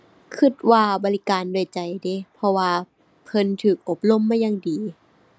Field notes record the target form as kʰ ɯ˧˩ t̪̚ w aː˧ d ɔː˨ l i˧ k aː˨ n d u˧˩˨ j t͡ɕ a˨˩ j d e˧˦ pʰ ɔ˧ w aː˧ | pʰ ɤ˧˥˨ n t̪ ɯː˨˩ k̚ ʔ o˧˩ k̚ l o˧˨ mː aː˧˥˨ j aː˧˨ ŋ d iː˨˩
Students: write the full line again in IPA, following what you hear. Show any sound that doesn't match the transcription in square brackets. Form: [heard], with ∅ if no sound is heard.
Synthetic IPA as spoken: kʰ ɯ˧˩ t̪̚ w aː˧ [b] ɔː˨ l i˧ k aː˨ n d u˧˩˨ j t͡ɕ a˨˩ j d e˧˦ pʰ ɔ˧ w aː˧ | pʰ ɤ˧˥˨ n [t̪ʰ] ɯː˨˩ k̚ ʔ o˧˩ [p̚] l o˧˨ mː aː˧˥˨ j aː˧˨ ŋ d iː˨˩